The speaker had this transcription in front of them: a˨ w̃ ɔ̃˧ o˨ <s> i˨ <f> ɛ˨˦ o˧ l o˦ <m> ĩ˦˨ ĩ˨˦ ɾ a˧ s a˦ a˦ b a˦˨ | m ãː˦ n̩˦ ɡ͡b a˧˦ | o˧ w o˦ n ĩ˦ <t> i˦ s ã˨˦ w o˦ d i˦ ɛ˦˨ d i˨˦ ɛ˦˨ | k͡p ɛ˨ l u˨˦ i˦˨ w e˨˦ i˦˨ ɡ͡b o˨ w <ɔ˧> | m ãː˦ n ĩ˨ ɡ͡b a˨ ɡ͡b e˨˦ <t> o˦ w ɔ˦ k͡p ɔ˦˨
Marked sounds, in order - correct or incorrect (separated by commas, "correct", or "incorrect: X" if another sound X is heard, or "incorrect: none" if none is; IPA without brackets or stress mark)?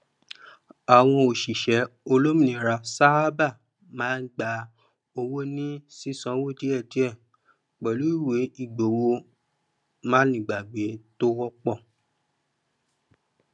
incorrect: ʃ, incorrect: ʃ, correct, incorrect: s, incorrect: o˧, correct